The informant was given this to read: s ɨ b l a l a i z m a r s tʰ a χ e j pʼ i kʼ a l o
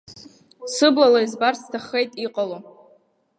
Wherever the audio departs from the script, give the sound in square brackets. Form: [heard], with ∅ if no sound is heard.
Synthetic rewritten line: s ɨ b l a l a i z [b] a r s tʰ a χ e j [tʼ] i [qʼ] a l o